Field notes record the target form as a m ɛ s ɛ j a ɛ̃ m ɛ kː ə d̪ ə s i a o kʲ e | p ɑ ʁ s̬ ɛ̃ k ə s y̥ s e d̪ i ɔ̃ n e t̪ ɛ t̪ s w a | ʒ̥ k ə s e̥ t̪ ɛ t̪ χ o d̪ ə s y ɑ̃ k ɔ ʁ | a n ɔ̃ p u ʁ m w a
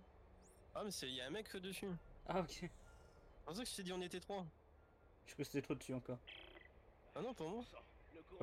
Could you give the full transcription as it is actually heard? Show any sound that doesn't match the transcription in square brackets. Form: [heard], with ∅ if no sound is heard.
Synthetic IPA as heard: a m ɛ s ɛ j a ɛ̃ m ɛ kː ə d̪ ə s [y] a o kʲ e | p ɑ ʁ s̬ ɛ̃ k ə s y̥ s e d̪ i ɔ̃ n e t̪ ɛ t̪ [χ] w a | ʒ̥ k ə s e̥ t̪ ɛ t̪ χ o d̪ ə s y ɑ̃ k ɔ ʁ | a n ɔ̃ p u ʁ m w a